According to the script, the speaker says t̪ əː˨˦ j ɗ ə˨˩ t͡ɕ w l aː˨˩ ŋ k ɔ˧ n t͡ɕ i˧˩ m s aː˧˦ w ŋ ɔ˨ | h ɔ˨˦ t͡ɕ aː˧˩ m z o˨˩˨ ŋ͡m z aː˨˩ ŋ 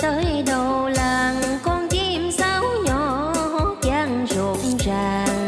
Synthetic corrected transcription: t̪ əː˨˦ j ɗ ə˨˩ w l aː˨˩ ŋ k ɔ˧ n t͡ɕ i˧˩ m s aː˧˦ w ɲ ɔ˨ | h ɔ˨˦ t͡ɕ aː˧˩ ŋ z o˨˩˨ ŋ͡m z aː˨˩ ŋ

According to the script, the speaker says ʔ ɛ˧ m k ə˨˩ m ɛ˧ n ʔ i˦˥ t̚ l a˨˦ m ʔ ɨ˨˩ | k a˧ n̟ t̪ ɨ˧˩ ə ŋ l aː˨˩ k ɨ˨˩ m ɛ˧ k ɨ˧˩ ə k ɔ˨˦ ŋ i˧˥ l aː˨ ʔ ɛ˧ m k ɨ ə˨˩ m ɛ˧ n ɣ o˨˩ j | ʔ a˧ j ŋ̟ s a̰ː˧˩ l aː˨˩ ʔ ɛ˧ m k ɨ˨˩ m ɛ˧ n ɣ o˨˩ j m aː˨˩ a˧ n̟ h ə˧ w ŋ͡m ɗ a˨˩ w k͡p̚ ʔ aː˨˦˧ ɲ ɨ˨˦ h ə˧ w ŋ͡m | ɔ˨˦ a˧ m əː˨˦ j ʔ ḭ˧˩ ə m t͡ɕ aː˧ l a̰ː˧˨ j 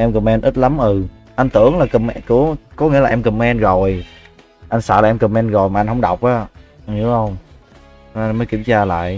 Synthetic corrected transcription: ʔ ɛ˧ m k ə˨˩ m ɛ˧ n ʔ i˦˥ t̚ l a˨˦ m ʔ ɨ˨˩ | ʔ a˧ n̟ t̪ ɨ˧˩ ə ŋ l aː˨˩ k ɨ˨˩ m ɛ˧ k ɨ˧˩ ə k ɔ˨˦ ŋ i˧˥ l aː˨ ʔ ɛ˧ m k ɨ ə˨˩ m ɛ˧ n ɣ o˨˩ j | ʔ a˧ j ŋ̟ s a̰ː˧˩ l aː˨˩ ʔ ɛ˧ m k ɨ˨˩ m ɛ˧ n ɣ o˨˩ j m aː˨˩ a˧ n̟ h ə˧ w ŋ͡m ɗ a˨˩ w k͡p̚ ʔ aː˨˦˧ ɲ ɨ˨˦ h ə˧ w ŋ͡m | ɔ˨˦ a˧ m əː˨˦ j k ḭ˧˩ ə m t͡ɕ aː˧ l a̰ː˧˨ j

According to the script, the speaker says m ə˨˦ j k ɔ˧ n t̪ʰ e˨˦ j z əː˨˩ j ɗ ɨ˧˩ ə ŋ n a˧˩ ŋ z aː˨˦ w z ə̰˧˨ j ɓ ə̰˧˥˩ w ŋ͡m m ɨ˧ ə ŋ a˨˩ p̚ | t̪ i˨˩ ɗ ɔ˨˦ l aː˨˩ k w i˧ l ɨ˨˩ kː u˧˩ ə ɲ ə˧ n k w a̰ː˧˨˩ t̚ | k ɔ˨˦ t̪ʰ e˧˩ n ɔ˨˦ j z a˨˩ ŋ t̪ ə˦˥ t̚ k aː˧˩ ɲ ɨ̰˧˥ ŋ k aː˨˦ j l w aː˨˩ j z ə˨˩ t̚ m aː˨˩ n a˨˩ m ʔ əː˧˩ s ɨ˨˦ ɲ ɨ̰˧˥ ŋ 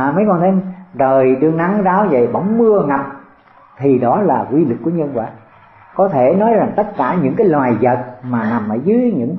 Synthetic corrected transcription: m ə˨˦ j k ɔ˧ n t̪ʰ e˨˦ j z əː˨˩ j ɗ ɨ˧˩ ə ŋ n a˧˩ ŋ z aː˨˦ w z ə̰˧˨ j ɓ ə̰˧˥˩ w ŋ͡m m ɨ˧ ə ŋ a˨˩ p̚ | t̪ʰ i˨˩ ɗ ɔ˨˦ l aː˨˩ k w i˧ l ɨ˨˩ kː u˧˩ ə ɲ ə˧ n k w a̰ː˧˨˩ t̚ | k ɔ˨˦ t̪ʰ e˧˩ n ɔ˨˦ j z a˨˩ ŋ t̪ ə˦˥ t̚ k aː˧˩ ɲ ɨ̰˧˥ ŋ k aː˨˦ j l w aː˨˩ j z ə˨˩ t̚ m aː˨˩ n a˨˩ m ʔ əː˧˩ z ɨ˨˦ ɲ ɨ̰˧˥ ŋ

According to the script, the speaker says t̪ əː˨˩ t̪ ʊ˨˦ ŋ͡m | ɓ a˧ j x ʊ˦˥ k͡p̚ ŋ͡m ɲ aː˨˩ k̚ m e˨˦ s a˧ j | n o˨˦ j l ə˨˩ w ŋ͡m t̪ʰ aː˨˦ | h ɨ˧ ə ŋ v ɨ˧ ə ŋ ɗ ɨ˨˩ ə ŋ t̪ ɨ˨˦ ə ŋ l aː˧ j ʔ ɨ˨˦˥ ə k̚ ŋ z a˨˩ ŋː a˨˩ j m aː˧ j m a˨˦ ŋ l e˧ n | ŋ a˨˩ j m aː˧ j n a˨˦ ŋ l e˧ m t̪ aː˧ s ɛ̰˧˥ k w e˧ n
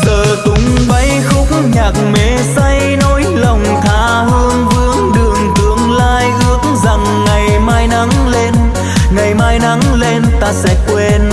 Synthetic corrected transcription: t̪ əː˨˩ t̪ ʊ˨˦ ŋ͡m | ɓ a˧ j x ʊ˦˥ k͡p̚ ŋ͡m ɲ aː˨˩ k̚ m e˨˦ s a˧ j | n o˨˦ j l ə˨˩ w ŋ͡m t̪ʰ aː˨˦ | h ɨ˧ ə ŋ v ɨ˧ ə ŋ ɗ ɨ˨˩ ə ŋ t̪ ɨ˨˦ ə ŋ l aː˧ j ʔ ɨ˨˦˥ ə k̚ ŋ z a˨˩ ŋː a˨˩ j m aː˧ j n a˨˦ ŋ l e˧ n | ŋ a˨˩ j m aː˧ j n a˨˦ ŋ l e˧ n t̪ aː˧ s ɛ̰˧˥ k w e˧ n

